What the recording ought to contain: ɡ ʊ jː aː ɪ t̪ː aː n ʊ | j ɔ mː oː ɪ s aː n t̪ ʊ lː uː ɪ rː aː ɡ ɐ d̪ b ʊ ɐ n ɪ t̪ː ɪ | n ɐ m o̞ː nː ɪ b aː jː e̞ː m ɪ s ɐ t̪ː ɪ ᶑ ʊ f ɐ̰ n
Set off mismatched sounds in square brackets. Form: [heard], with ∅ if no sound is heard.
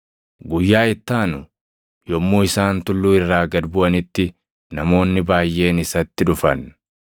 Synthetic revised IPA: ɡ ʊ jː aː ɪ t̪ː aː n ʊ | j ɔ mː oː ɪ s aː n t̪ ʊ lː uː ɪ rː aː ɡ ɐ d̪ b ʊ ɐ n ɪ t̪ː ɪ | n ɐ m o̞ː nː ɪ b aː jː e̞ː [n] ɪ s ɐ t̪ː ɪ ᶑ ʊ f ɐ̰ n